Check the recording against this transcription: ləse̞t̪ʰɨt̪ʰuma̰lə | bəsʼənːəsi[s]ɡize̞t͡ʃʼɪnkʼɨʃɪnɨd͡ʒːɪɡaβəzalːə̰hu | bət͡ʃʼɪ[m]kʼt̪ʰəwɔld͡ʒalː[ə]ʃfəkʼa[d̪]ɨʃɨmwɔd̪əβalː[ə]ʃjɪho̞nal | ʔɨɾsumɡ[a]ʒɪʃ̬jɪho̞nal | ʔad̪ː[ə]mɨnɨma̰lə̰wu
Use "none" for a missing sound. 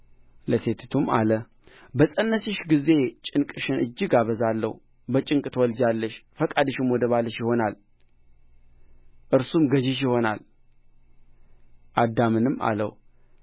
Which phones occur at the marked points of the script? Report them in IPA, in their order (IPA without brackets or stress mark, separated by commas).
ʃ, ŋ, ə, d̪, ə, ə, a